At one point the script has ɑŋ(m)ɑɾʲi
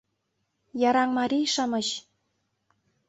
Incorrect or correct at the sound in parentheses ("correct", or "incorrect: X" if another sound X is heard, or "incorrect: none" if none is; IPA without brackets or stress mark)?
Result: correct